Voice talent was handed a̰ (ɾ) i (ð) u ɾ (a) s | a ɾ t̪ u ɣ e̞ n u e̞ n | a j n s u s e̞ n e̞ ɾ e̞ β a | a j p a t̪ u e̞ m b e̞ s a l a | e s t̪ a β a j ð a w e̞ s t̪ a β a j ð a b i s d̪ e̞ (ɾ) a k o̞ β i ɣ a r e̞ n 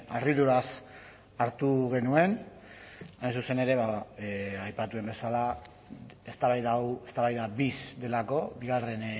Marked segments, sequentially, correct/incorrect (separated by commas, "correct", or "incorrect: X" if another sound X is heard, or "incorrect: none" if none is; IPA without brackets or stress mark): incorrect: r, correct, correct, incorrect: l